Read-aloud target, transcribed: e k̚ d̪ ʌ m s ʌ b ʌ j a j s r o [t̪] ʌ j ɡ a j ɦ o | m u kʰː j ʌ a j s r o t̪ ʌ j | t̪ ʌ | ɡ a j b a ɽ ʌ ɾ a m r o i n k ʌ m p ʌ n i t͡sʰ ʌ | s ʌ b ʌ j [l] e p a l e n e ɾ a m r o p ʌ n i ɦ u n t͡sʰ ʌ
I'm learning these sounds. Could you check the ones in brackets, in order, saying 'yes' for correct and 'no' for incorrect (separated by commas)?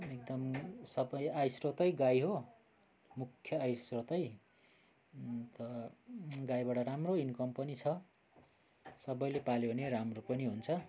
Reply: yes, yes